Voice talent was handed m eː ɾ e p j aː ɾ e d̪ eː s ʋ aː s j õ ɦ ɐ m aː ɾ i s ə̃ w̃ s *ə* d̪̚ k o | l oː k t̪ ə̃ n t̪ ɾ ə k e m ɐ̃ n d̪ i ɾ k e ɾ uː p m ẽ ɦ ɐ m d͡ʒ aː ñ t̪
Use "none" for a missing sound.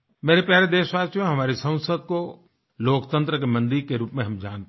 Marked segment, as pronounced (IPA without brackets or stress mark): ə